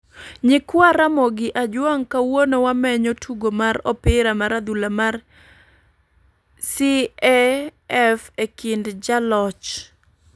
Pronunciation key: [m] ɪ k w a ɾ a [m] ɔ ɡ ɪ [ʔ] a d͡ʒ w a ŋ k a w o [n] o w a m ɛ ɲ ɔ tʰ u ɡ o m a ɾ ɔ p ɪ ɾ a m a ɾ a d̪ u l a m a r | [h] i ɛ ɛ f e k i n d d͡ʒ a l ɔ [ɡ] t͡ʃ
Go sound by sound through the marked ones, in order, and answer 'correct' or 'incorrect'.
incorrect, correct, correct, correct, incorrect, incorrect

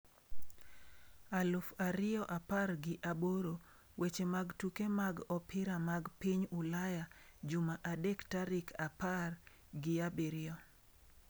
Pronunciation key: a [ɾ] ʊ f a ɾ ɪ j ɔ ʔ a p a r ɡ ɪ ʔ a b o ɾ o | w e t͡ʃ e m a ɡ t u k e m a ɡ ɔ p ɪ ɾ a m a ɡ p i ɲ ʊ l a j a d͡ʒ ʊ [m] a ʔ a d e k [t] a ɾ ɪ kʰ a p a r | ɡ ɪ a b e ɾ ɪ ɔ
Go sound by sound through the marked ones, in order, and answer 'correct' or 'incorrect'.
incorrect, correct, correct

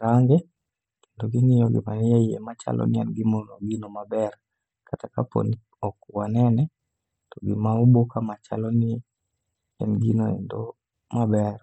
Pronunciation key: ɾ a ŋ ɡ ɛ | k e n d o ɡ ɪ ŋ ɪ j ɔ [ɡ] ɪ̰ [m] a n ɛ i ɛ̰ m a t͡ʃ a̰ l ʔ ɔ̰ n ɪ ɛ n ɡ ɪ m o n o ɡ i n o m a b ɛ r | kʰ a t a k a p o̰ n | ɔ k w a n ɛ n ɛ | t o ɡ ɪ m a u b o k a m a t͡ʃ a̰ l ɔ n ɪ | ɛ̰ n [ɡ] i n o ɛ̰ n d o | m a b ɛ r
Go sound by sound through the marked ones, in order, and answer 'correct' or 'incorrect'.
correct, correct, correct

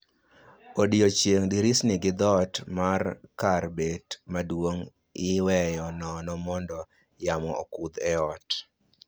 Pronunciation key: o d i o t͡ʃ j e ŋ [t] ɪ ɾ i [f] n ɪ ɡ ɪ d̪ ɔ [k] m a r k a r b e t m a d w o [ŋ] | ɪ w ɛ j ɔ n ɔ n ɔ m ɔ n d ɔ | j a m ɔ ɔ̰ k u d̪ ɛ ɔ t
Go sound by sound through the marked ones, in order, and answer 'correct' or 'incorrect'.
incorrect, incorrect, incorrect, correct

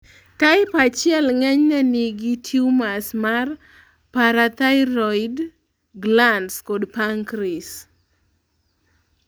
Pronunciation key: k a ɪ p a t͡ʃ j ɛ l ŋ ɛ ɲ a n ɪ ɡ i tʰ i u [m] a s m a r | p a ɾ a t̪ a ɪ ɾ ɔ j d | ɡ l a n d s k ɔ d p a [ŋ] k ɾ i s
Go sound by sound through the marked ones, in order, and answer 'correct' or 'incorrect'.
correct, correct

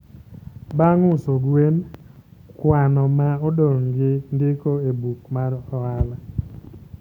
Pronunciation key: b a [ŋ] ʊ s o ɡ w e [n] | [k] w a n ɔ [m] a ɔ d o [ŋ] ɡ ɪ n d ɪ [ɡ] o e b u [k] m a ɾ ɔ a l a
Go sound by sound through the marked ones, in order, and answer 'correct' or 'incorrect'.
correct, correct, correct, correct, correct, incorrect, correct

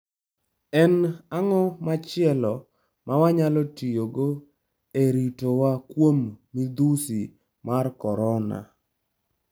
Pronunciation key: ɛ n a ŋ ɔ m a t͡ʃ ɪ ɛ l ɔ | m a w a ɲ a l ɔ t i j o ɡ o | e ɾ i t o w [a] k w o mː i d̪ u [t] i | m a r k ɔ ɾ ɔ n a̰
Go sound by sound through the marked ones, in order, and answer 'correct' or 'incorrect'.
correct, incorrect

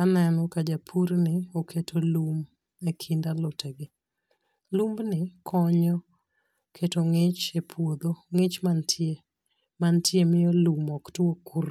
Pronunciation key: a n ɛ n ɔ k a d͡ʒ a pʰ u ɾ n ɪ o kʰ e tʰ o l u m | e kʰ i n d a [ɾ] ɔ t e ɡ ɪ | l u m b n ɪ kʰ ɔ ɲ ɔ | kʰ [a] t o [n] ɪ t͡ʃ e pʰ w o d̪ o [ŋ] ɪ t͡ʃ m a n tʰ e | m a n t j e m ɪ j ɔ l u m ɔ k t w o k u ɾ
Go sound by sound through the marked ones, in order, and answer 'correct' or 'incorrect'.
incorrect, incorrect, incorrect, correct

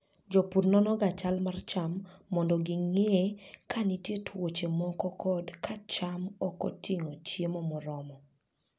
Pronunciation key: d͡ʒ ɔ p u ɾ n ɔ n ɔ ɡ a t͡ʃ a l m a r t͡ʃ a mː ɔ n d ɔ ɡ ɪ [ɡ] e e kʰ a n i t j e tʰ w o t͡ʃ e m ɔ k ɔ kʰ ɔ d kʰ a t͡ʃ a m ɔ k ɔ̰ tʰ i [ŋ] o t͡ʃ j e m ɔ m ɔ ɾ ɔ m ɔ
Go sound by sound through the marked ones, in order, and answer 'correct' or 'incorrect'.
incorrect, correct

